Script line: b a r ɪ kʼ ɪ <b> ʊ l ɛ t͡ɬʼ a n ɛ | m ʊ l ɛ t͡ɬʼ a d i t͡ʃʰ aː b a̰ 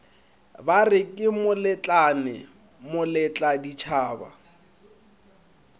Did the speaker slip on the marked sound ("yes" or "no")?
yes